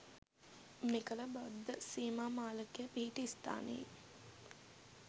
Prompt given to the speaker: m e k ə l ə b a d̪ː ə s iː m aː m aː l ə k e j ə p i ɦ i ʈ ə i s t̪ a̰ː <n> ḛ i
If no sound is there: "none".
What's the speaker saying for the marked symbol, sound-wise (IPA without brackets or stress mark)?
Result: n